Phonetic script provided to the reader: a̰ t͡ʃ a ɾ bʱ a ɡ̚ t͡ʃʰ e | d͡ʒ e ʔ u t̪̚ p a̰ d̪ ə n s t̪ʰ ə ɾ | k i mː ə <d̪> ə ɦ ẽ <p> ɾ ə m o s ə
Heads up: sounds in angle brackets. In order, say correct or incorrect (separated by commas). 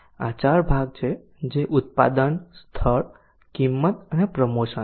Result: incorrect, correct